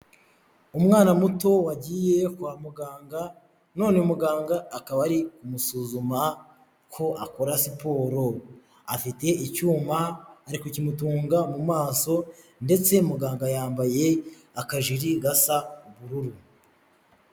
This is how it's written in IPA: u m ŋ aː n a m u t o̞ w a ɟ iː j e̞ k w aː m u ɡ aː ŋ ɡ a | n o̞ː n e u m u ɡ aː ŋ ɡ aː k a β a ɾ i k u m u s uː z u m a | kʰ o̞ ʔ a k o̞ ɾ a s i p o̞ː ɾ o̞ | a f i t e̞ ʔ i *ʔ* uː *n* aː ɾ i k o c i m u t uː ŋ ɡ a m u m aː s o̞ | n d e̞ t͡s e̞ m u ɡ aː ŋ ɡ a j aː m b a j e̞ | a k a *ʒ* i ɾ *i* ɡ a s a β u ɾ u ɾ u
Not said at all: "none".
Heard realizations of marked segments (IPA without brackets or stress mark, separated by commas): c, m, ʒ, i